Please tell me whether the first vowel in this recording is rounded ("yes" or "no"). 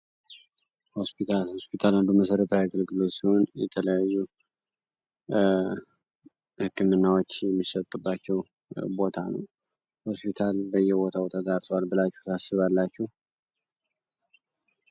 yes